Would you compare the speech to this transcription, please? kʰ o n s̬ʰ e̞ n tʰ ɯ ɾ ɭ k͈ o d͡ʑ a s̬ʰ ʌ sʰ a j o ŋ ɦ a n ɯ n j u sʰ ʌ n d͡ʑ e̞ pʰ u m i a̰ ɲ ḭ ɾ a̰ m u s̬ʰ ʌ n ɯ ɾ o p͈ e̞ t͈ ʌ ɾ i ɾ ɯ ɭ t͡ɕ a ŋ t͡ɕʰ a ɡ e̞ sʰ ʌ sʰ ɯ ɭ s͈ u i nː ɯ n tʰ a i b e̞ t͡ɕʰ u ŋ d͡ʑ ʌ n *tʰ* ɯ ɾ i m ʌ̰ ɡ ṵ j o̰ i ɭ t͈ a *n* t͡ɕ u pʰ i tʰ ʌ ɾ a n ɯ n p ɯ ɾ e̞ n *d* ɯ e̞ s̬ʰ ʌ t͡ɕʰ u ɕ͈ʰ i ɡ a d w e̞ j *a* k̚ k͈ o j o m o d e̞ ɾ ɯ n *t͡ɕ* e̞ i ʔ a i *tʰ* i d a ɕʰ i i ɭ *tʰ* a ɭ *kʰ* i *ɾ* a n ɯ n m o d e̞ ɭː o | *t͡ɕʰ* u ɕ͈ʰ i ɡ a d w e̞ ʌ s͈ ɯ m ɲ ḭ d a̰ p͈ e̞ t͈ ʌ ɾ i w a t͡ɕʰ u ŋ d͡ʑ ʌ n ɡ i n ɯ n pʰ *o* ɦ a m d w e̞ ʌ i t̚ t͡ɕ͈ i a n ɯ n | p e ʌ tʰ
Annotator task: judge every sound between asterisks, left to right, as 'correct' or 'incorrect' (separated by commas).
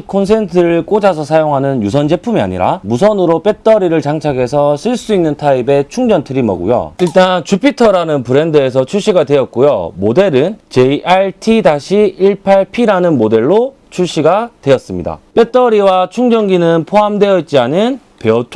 correct, correct, correct, incorrect, correct, correct, incorrect, incorrect, correct, correct, correct